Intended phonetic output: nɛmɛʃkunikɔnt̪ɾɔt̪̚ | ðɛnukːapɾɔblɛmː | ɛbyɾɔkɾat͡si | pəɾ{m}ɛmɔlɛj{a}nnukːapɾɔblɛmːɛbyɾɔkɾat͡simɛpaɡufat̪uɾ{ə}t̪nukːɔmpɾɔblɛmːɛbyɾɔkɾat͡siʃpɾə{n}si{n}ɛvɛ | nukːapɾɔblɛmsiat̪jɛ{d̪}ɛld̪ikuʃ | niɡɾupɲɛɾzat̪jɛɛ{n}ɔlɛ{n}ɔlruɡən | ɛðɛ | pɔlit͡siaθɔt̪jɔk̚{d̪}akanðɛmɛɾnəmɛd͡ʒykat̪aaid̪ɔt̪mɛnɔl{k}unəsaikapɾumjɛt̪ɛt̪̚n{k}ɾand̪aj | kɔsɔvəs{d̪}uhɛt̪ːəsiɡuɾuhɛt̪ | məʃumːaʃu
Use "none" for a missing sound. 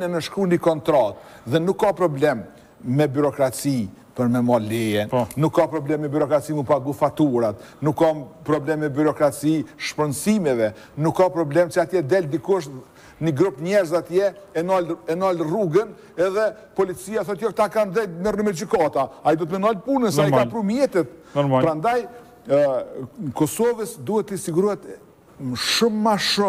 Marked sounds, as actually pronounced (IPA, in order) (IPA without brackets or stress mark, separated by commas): m, ɛ, a, n, m, d̪, n, n, t̪, p, p, d̪